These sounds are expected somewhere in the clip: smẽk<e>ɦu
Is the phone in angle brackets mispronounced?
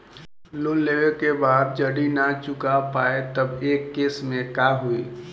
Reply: yes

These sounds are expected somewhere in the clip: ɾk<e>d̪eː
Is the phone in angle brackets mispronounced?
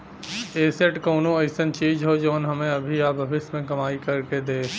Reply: no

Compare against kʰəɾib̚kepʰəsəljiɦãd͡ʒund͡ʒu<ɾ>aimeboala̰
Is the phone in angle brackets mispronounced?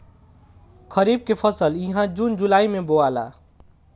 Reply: yes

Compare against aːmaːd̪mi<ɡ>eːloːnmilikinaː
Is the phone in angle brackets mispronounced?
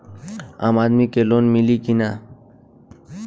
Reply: yes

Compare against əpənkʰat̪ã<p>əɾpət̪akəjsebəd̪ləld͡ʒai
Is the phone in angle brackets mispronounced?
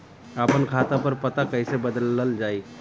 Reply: no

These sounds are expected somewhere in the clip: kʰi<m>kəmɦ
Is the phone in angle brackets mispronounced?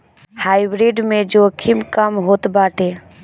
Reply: no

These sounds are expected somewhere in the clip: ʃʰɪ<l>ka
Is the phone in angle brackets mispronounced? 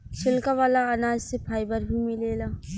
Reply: no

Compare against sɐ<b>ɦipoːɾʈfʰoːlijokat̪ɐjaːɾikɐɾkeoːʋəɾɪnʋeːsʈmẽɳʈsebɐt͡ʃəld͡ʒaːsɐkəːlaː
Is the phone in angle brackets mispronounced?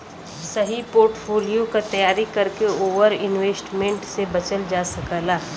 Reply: yes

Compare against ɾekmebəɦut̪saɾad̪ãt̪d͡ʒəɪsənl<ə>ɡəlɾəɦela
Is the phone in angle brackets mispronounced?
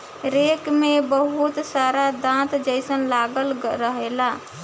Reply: yes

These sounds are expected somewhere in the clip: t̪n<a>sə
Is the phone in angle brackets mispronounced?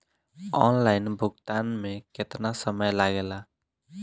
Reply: no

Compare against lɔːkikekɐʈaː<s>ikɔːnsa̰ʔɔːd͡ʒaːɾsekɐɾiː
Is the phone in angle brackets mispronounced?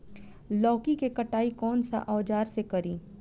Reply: yes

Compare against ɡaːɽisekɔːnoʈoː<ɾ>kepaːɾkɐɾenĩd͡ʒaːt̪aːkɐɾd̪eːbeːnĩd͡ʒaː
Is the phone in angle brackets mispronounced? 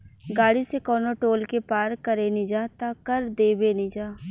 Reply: yes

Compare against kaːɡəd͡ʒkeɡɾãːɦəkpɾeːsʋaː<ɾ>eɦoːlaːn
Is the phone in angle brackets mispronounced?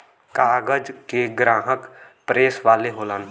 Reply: yes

